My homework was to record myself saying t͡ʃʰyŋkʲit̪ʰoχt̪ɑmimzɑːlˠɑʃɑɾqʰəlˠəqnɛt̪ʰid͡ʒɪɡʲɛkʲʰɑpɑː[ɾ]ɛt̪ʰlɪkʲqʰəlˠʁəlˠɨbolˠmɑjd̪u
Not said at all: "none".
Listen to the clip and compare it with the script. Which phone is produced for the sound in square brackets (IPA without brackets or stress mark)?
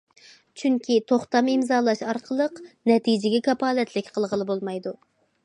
l